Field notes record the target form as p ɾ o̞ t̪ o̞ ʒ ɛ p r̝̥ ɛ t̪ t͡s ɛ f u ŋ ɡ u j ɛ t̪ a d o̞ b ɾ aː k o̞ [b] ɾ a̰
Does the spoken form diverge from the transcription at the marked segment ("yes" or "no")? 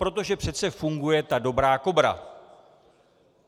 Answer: no